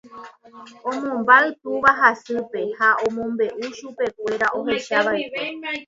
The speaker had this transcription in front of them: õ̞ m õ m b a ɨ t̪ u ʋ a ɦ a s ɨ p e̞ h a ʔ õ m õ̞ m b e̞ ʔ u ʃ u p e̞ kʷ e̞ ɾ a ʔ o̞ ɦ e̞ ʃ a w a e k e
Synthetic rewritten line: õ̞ m õ m b a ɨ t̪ u ʋ a ɦ a s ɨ p e̞ h a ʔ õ m õ̞ m b e̞ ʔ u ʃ u p e̞ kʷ e̞ ɾ a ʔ o̞ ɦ e̞ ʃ a ʋ a e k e